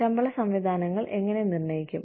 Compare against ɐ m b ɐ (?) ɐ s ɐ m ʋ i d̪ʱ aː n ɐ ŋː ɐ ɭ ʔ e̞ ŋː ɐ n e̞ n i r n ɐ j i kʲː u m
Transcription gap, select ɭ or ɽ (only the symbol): ɭ